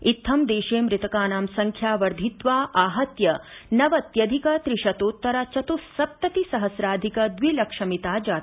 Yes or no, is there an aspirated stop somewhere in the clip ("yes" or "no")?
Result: yes